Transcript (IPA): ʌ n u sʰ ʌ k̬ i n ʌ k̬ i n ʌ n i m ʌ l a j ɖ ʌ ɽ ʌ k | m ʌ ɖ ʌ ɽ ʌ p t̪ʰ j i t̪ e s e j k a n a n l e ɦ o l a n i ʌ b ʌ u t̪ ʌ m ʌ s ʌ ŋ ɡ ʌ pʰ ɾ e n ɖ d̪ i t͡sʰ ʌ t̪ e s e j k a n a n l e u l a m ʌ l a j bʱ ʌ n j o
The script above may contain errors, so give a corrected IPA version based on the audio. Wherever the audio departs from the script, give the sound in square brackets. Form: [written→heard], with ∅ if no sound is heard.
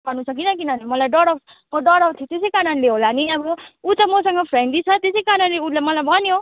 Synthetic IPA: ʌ n u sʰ ʌ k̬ i n ʌ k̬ i n ʌ n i m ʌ l a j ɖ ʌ ɽ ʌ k | m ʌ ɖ ʌ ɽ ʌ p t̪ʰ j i t̪ e s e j k a n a n l e ɦ o l a n i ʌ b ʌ u t̪ ʌ m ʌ s ʌ ŋ ɡ ʌ pʰ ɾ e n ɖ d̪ i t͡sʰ ʌ t̪ e s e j k a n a n l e u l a m ʌ l a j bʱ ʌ n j o